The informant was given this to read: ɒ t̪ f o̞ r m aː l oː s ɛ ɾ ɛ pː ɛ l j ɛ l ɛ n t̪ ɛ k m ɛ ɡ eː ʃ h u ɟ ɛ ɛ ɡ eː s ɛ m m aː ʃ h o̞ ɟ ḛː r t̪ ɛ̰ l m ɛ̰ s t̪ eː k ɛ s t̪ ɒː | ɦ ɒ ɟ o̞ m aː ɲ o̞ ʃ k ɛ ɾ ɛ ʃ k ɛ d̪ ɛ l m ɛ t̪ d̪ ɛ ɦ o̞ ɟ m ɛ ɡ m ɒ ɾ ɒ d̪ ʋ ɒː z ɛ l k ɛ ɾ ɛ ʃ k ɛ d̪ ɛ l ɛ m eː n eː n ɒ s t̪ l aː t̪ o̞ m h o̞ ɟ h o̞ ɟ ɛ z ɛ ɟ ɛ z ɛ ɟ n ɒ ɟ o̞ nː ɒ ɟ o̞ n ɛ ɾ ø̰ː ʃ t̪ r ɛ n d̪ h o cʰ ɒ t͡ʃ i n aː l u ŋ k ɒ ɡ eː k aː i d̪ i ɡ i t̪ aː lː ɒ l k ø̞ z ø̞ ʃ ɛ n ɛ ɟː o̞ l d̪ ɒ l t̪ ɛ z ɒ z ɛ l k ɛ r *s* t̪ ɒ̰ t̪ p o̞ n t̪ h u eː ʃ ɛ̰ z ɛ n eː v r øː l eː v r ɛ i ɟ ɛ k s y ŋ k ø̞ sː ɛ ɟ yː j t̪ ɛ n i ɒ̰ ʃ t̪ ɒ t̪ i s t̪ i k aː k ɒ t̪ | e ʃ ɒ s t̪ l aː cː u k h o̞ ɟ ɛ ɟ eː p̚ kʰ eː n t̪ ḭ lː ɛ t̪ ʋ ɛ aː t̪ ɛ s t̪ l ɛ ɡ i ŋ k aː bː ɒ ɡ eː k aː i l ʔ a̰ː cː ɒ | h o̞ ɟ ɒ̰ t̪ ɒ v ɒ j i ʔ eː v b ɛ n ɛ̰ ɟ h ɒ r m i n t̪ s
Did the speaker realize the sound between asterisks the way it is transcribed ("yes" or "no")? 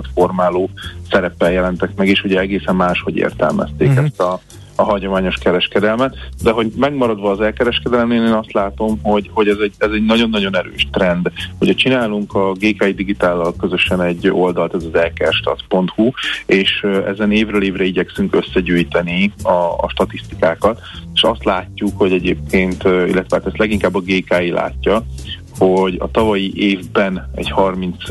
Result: no